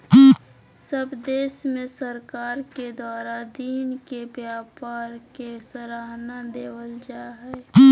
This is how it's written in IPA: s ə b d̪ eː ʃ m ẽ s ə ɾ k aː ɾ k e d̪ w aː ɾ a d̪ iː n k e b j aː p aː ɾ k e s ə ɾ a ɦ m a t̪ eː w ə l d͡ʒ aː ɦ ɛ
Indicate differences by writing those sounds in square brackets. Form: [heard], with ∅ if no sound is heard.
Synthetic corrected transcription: s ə b d̪ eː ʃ m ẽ s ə ɾ k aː ɾ k e d̪ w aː ɾ a d̪ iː n k e b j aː p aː ɾ k e s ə ɾ a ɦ [n] a [d̪] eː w ə l d͡ʒ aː ɦ ɛ